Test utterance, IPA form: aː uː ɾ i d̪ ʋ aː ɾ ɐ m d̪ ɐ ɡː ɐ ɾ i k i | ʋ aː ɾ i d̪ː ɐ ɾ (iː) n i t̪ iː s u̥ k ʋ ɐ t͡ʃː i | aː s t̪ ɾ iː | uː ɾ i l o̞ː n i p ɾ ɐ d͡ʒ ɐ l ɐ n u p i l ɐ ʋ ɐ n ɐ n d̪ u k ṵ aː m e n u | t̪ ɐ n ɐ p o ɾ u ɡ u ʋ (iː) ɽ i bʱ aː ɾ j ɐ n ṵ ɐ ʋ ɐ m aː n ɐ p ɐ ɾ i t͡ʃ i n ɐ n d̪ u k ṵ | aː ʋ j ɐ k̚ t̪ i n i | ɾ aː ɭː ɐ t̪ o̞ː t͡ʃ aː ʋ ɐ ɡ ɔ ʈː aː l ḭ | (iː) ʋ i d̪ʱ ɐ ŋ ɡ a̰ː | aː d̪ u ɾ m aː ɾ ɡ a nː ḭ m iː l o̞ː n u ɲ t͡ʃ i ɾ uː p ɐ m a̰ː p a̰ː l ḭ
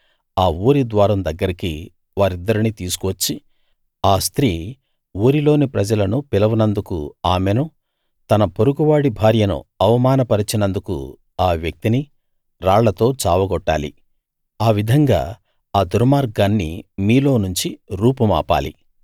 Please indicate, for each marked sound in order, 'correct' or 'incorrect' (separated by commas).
incorrect, incorrect, incorrect